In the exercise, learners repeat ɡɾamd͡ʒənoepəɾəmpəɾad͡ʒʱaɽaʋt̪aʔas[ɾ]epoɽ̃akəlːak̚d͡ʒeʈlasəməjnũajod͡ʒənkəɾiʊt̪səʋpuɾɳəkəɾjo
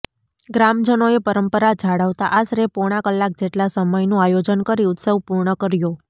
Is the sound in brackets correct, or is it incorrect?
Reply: correct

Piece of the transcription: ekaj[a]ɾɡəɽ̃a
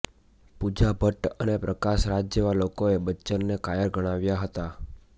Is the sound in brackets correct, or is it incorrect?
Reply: incorrect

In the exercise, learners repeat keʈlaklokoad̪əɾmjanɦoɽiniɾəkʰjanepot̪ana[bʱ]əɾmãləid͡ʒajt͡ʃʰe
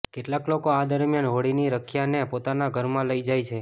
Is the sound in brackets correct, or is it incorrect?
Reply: incorrect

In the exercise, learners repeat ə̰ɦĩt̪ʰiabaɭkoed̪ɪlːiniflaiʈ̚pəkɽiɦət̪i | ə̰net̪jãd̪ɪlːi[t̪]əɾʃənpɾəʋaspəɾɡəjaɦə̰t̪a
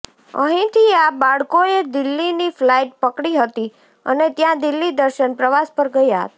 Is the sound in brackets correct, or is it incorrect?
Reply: incorrect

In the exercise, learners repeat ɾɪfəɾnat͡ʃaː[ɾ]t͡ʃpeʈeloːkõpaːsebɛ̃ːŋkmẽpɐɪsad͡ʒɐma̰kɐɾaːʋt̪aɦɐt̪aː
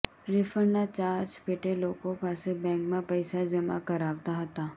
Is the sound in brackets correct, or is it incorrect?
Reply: correct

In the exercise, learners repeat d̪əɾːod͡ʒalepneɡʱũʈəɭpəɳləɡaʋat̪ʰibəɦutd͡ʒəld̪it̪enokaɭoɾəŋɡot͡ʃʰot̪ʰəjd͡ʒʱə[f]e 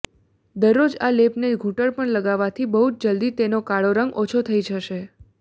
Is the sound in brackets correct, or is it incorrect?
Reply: incorrect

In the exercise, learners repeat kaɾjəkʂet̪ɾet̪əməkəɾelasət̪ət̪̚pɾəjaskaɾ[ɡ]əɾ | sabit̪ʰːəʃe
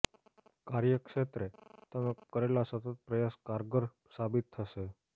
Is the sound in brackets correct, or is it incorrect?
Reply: correct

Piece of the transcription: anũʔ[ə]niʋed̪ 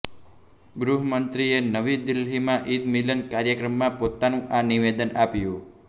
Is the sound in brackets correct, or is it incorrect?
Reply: incorrect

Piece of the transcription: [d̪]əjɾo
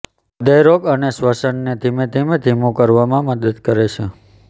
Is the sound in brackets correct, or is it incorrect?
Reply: correct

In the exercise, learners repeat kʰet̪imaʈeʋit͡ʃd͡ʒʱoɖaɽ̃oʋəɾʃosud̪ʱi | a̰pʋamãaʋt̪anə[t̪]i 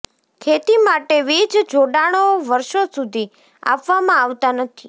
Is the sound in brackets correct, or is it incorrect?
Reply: incorrect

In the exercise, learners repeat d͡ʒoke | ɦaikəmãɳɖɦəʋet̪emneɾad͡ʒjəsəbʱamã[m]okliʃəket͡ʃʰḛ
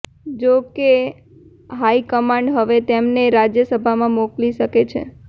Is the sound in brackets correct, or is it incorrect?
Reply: correct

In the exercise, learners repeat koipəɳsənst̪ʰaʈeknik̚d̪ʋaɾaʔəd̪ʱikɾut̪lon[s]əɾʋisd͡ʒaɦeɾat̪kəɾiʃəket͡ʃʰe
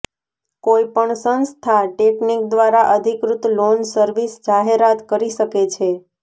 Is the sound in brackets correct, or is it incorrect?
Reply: correct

